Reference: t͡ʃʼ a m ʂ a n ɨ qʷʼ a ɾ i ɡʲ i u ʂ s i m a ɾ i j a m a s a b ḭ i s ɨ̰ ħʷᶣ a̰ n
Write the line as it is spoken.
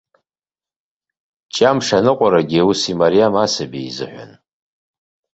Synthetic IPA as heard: t͡ʃʼ a m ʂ a n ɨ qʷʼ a ɾ a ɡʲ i u s i m a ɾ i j a m a s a b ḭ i z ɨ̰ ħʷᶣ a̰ n

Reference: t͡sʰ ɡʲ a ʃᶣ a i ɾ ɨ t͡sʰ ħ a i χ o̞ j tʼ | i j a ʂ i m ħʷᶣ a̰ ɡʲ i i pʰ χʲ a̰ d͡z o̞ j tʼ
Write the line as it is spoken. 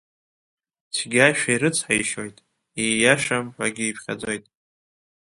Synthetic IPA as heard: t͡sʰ ɡʲ a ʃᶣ a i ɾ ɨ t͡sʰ ħ a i ʃ o̞ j tʼ | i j a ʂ a m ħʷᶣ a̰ ɡʲ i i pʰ χʲ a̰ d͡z o̞ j tʼ

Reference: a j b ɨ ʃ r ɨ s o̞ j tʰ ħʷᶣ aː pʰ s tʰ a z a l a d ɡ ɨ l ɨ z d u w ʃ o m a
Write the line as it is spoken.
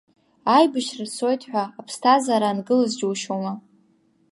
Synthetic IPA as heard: a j b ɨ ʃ r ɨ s o̞ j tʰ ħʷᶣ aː pʰ s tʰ a z a ɾ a n ɡ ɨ l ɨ z d͡ʒ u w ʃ o m a

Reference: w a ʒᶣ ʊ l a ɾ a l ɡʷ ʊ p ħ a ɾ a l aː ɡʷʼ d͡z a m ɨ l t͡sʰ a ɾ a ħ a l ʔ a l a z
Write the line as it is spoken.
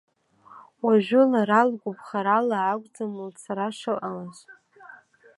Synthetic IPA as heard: w a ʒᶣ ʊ l a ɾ a l ɡʷ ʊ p χ a ɾ a l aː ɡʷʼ d͡z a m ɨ l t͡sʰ a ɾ a ʂ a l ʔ a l a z

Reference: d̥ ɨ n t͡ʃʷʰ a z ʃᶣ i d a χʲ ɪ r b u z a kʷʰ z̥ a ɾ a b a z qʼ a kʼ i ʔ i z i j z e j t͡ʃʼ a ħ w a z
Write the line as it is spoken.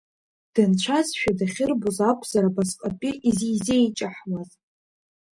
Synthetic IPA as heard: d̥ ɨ n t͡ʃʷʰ a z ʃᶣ a d a χʲ ɪ r b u z a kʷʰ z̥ a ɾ a b a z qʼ a pʼ i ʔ i z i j z e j t͡ʃʼ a ħ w a z

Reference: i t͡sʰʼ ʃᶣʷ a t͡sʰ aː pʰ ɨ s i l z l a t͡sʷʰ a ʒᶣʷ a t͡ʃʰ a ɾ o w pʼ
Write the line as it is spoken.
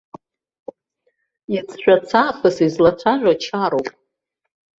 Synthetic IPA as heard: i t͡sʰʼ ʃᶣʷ a t͡sʰ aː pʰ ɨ s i z l a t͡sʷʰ a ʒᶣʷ a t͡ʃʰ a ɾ o w pʼ

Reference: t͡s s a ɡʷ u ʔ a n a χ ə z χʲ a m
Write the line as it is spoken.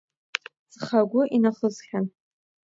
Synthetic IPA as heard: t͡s χ a ɡʷ ʊ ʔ i n a χ ə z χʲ a n

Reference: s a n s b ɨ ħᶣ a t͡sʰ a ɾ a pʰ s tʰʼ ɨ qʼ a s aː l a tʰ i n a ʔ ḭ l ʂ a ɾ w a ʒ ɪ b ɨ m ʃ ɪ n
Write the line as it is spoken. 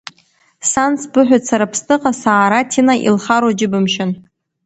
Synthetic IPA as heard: s a n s b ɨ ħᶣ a t͡sʰ a ɾ a pʰ s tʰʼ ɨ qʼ a s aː ɾ a tʰ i n a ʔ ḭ l χ a ɾ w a d͡ʒ ɪ b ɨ m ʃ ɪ n

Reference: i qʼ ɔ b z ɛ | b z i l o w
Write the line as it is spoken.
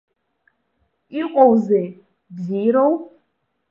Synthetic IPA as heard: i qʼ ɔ w z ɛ | b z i ɾ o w

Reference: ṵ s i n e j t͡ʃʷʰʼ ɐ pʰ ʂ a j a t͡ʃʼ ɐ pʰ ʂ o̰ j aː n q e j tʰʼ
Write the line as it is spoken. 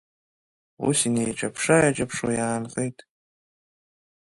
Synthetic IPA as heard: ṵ s i n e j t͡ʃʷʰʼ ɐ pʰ ʂ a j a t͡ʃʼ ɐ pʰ ʂ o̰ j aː n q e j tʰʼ

